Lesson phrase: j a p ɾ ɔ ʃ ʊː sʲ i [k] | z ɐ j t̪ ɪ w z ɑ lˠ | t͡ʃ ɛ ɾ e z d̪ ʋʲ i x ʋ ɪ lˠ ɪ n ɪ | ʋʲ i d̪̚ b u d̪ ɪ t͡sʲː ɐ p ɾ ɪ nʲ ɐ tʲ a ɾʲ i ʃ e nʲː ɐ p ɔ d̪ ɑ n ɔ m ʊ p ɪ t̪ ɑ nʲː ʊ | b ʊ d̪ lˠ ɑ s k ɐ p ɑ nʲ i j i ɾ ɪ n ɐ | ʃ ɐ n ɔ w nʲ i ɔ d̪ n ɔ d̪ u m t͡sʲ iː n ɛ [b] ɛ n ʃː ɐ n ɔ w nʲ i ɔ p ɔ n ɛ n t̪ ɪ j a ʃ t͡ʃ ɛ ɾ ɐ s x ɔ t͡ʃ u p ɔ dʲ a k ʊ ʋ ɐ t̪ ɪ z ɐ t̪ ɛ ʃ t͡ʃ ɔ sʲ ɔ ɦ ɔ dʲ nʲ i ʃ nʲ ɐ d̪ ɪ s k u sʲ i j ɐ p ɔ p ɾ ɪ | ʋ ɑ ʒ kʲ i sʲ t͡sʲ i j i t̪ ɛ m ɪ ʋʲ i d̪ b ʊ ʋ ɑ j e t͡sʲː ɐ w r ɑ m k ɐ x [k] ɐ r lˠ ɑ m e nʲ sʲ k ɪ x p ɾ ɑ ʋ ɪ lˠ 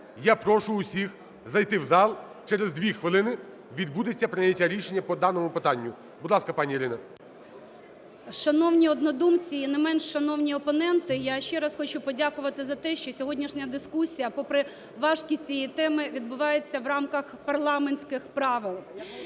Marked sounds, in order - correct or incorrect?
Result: incorrect: x, incorrect: m, incorrect: p

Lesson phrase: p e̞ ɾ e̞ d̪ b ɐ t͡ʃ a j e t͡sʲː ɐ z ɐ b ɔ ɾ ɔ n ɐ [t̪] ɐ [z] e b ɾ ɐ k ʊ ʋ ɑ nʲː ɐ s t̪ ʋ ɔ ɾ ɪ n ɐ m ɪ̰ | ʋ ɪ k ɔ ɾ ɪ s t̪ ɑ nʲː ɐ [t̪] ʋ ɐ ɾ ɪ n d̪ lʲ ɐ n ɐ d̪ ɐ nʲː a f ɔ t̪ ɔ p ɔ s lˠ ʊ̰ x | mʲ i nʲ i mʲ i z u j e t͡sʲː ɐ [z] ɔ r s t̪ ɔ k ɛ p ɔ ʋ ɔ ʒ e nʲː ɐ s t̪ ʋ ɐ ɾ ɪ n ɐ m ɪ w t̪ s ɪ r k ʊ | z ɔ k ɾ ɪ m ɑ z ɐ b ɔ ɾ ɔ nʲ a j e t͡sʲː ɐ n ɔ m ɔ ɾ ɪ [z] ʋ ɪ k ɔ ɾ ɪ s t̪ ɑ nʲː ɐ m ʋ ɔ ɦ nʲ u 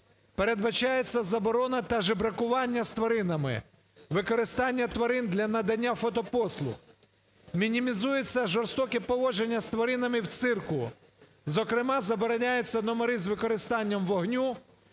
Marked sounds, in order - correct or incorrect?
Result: correct, incorrect: ʒ, correct, incorrect: ʒ, correct

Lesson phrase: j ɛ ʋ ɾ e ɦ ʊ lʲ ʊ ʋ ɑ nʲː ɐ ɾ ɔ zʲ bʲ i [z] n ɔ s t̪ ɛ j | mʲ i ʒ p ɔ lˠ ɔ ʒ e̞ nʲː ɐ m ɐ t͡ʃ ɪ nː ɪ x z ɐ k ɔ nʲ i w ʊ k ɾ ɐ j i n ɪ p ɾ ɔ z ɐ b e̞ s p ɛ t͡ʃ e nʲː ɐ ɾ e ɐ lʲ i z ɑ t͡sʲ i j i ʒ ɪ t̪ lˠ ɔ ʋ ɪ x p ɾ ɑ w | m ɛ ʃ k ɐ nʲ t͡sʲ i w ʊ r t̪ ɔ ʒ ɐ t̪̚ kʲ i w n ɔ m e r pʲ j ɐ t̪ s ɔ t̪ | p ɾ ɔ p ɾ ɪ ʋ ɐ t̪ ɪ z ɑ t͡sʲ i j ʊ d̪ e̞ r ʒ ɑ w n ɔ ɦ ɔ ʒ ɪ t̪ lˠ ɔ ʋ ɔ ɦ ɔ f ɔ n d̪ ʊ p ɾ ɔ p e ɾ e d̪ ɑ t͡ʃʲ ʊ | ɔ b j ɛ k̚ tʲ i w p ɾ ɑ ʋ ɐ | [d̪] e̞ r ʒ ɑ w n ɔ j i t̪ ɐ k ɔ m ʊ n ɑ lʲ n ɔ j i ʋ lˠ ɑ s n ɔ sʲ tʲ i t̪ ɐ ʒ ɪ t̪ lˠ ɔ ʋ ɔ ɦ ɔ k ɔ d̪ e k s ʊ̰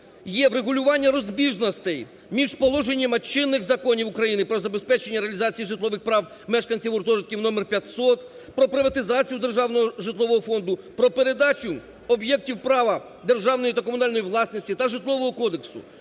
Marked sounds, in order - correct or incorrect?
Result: incorrect: ʒ, correct

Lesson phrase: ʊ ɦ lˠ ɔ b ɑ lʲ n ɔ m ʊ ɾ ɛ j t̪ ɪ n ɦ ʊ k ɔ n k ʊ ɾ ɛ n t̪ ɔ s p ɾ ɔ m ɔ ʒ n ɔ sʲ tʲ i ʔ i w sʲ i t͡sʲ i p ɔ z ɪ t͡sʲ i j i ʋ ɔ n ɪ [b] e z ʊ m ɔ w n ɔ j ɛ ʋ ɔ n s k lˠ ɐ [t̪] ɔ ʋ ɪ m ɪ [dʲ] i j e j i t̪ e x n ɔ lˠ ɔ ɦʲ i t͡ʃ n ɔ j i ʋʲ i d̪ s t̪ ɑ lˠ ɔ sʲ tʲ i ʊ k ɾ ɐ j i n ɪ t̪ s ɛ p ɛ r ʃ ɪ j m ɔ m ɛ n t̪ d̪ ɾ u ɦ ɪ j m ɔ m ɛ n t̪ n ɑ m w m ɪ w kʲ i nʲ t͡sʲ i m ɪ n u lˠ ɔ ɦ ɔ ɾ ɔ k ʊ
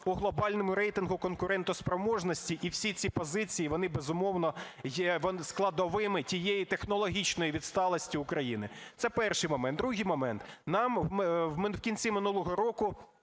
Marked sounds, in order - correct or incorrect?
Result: correct, incorrect: d̪, incorrect: tʲ

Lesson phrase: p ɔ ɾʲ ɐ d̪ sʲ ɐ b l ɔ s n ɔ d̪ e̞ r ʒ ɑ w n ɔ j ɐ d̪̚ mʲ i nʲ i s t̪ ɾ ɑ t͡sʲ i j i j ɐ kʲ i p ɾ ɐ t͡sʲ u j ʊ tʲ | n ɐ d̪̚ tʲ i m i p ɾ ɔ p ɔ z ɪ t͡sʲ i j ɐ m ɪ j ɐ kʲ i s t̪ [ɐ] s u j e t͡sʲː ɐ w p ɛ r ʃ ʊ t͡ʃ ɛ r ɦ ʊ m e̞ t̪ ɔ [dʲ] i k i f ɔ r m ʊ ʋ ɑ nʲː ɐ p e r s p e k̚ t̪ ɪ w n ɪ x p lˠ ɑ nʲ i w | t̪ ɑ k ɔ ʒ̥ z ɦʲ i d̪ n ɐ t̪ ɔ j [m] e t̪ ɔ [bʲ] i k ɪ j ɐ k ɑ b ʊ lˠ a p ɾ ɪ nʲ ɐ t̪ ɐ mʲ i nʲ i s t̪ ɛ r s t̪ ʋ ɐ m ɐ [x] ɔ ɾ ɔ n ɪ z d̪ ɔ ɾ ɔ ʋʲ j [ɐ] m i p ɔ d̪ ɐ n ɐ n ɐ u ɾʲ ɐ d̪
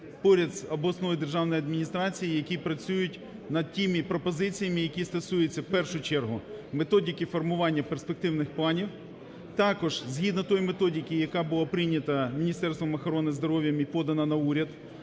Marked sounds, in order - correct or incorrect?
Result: correct, correct, correct, incorrect: dʲ, correct, correct

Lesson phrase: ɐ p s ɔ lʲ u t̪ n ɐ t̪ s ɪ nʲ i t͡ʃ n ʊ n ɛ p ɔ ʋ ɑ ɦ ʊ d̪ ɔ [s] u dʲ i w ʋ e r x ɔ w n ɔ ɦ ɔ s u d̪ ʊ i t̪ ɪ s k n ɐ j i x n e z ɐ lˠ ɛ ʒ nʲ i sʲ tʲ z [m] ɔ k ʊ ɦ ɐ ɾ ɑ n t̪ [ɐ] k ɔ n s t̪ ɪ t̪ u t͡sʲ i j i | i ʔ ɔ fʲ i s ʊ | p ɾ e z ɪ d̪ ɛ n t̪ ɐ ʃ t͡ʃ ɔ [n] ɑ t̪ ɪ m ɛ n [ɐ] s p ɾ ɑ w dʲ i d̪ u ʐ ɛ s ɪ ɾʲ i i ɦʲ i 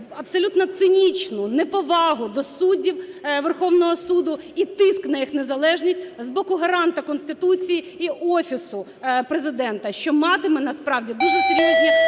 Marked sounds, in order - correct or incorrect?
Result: correct, incorrect: b, correct, incorrect: m, correct

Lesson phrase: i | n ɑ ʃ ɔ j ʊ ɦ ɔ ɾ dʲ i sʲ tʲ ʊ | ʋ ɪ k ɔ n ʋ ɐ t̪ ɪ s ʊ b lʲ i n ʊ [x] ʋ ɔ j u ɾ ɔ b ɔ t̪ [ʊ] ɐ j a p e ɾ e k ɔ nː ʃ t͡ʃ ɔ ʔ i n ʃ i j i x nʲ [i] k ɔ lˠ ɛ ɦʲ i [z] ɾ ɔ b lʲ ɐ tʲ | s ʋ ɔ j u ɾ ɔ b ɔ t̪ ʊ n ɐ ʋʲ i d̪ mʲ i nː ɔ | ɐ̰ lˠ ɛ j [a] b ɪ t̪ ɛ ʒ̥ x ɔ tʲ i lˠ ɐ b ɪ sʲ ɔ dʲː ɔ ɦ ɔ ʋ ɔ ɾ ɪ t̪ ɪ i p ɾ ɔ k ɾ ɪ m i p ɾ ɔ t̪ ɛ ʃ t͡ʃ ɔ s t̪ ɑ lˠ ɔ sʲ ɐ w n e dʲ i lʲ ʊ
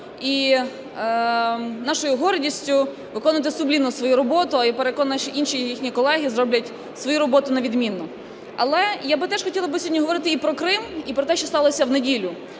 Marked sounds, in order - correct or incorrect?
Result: incorrect: s, correct, correct, correct, correct

